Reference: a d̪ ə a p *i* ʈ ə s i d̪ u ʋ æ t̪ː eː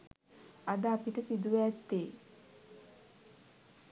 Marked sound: correct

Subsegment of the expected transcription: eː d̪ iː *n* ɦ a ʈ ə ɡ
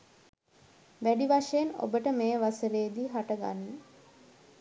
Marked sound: incorrect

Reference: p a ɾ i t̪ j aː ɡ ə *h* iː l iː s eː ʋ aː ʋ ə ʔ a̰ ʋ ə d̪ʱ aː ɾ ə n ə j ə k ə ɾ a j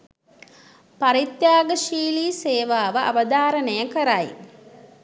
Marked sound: incorrect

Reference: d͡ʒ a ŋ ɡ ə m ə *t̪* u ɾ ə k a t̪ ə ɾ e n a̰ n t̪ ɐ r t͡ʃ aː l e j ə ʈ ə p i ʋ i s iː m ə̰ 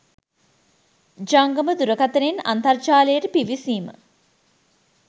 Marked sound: incorrect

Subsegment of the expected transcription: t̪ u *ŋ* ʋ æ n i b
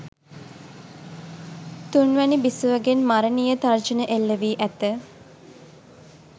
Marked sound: incorrect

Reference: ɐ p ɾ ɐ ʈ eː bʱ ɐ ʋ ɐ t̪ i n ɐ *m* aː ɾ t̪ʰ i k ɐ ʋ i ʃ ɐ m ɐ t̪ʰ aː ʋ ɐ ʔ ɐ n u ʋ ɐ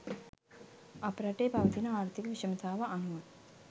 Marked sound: incorrect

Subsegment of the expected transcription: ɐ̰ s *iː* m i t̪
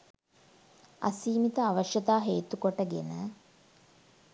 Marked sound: correct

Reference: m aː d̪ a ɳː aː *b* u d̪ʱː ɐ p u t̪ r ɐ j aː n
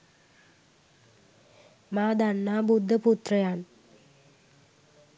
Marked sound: correct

